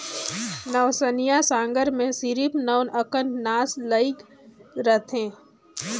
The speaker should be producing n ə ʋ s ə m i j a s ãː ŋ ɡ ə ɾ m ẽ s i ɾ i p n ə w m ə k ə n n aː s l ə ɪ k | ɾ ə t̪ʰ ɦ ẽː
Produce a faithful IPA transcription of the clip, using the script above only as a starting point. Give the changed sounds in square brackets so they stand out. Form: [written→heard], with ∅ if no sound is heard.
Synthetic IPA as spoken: n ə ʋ s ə [m→n] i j a s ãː ŋ ɡ ə ɾ m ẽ s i ɾ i p n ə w [m→n] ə k ə n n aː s l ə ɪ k | ɾ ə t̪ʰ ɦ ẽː